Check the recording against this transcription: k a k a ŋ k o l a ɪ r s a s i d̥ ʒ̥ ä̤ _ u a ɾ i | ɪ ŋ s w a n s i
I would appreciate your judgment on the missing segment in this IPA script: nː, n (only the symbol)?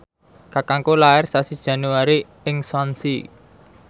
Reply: n